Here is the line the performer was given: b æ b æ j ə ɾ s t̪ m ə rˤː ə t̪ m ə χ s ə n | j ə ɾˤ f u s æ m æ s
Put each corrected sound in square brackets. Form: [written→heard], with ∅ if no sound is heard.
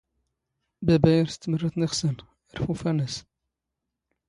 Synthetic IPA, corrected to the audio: b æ b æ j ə ɾ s t̪ m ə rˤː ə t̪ [m→n] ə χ s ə n | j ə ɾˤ f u [s→f] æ [m→n] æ s